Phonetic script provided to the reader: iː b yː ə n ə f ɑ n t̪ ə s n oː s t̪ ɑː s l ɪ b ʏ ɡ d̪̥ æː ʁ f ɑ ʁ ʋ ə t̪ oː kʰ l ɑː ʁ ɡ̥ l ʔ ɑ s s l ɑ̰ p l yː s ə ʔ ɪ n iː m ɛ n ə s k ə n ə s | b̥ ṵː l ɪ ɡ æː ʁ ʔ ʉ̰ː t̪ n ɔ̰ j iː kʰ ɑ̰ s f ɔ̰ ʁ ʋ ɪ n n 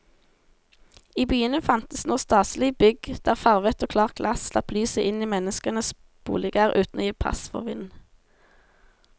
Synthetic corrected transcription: iː b yː ə n ə f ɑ n t̪ ə s n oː s t̪ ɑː s l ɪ b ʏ ɡ d̪̥ æː ʁ f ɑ ʁ ʋ ə t̪ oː kʰ l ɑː ʁ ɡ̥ l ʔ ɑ s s l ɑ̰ p l yː s ə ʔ ɪ n iː m ɛ n ə s k ə n ə s | b̥ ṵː l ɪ ɡ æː ʁ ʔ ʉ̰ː t̪ n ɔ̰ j iː pʰ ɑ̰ s f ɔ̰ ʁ ʋ ɪ n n